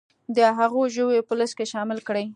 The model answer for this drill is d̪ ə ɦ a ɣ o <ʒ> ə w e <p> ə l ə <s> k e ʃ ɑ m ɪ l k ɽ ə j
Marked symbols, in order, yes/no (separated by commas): yes, yes, yes